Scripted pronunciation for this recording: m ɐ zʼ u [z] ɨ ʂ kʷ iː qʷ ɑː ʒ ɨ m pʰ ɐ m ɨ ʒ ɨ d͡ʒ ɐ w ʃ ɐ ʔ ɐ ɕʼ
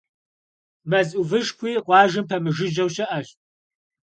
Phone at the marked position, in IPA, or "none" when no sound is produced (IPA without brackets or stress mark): v